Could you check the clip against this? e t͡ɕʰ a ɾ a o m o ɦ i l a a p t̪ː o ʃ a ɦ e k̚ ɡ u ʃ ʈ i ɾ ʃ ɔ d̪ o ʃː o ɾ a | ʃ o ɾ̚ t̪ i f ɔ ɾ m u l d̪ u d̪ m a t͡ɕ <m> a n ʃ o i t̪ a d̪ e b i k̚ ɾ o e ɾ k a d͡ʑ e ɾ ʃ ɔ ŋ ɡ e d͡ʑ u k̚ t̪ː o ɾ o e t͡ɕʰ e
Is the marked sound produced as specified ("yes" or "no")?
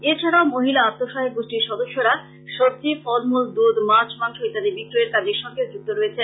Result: yes